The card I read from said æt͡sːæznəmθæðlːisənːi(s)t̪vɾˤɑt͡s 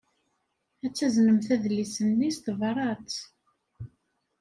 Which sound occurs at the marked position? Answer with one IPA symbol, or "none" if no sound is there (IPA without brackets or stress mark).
s